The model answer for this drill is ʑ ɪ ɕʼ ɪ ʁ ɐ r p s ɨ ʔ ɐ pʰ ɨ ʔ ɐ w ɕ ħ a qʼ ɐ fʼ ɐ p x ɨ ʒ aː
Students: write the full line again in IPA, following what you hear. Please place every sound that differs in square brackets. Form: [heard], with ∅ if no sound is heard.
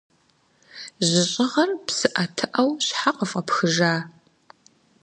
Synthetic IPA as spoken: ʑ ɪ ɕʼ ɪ ʁ ɐ r p s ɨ ʔ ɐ [tʰ] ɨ ʔ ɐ w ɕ ħ a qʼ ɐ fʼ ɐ p x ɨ ʒ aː